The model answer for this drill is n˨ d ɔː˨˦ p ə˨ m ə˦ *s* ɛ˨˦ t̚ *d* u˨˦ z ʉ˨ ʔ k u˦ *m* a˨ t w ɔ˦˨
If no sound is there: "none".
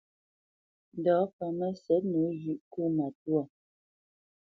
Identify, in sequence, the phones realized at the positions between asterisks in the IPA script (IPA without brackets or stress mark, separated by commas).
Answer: s, n, m